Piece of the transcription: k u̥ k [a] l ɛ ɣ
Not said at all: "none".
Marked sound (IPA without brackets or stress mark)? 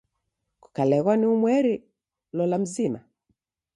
a